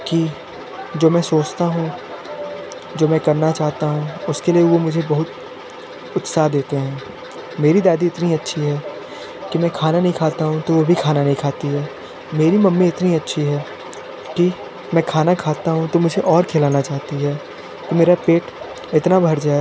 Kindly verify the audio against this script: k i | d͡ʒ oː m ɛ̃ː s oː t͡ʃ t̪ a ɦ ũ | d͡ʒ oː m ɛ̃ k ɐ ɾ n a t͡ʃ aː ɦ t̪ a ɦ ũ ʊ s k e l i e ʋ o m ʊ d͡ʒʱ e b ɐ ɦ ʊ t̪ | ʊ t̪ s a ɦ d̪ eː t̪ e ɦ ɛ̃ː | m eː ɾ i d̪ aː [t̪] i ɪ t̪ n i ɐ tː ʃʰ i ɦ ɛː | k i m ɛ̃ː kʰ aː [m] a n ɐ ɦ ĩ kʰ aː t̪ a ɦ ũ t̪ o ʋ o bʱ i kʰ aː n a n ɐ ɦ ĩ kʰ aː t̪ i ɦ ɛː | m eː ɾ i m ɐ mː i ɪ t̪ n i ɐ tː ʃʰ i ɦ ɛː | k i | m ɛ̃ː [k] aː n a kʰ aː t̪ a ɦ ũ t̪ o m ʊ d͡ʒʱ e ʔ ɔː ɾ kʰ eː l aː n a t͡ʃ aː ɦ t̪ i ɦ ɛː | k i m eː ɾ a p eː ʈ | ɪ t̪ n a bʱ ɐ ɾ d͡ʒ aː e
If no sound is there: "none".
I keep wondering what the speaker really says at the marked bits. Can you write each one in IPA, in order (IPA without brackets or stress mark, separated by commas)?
d̪, n, kʰ